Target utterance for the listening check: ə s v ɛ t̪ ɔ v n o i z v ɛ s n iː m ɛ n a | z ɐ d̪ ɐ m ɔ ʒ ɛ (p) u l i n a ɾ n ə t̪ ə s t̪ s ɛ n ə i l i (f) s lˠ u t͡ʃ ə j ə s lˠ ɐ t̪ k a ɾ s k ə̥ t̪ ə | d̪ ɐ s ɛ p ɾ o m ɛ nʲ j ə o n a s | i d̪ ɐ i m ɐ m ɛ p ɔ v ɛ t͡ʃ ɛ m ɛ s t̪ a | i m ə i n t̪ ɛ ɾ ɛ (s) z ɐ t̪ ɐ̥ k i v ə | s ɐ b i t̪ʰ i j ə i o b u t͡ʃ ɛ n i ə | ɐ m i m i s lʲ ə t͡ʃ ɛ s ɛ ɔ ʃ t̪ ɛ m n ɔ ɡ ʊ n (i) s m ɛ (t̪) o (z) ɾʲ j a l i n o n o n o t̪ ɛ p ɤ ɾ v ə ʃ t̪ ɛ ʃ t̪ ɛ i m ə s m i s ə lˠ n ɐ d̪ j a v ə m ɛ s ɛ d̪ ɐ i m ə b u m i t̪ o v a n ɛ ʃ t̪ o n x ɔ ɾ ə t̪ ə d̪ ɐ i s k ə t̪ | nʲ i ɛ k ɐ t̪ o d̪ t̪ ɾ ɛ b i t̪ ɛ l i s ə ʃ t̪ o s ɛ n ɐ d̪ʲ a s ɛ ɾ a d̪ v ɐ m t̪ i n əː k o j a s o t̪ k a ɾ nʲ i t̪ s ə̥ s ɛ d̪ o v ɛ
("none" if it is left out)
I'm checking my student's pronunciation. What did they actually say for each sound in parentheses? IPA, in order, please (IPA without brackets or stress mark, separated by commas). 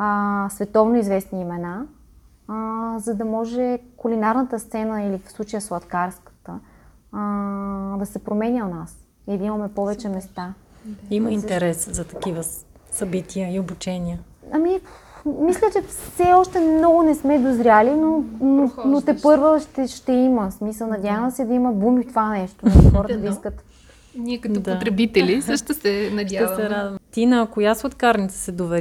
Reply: k, f, s, ɛ, d̪, z